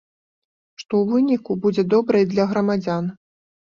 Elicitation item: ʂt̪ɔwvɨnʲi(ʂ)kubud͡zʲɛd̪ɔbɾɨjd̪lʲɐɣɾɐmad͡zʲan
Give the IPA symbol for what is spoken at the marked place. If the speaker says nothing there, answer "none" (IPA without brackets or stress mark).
none